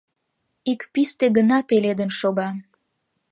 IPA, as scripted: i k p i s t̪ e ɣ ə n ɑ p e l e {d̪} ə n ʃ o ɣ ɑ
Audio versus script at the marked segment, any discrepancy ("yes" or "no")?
no